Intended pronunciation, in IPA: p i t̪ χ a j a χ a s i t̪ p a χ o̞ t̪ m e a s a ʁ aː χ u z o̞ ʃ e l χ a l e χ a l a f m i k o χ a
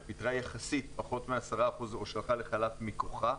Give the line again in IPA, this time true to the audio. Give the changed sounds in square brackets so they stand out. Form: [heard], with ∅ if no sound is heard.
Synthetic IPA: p i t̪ [ʁ] a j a χ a s i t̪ p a χ o̞ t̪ m e a s a ʁ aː χ u z o̞ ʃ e l χ a l e χ a l a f m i k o χ a